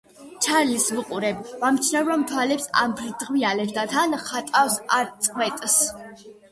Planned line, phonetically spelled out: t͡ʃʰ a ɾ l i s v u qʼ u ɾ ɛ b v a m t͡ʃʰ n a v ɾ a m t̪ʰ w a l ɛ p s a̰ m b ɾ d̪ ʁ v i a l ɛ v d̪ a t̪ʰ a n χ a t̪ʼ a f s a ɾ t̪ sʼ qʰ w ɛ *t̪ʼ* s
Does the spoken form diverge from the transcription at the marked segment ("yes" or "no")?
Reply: no